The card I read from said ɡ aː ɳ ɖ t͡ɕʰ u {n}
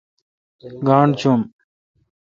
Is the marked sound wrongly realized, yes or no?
yes